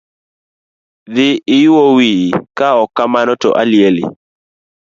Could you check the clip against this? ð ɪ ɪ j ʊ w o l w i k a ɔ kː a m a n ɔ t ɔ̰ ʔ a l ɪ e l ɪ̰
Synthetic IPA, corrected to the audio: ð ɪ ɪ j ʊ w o w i k a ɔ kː a m a n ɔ t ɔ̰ ʔ a l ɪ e l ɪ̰